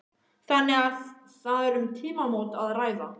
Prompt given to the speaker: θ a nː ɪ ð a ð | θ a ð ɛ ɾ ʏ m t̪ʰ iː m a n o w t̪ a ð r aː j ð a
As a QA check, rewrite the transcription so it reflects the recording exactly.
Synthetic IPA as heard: θ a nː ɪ ɣ a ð | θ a ð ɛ ɾ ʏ m t̪ʰ iː m a m o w t̪ a ð r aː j ð a